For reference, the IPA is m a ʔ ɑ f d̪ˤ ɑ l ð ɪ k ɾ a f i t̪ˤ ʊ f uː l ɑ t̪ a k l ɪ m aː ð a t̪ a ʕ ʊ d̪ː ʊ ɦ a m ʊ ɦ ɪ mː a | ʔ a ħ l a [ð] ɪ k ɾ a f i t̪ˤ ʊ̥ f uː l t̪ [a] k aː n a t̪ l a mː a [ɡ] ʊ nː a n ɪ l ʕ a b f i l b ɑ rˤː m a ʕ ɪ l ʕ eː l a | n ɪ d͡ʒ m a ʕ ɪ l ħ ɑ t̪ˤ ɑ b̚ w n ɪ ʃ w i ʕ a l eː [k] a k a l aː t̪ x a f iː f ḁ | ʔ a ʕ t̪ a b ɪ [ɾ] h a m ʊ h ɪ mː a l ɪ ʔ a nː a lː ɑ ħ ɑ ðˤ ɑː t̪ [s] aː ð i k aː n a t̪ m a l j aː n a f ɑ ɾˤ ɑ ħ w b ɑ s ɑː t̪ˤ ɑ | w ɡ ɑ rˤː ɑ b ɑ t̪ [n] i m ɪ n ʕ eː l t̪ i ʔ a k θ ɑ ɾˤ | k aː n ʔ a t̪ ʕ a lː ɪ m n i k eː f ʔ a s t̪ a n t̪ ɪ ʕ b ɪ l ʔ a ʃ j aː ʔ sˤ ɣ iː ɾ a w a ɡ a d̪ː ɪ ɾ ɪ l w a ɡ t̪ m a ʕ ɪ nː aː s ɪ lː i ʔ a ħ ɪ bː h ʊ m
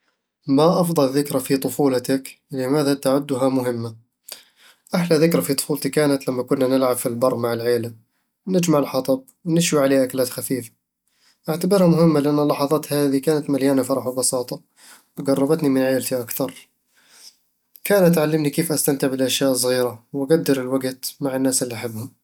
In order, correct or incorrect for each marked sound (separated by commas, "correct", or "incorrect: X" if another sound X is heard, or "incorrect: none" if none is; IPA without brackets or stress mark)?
correct, incorrect: i, incorrect: k, incorrect: ʔ, correct, incorrect: h, correct